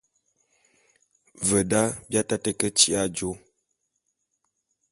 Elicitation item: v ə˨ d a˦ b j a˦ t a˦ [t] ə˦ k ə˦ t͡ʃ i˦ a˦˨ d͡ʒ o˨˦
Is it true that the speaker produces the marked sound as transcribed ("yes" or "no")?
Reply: yes